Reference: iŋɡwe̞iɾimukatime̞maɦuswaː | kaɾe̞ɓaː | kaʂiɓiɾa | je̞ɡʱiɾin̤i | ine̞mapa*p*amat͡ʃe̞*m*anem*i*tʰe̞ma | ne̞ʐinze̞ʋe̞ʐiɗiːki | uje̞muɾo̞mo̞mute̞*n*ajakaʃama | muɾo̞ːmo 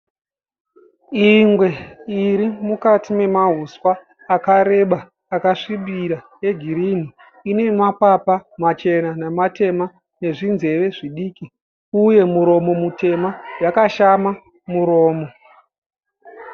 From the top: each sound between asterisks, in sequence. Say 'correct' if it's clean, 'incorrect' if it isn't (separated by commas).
correct, incorrect, incorrect, incorrect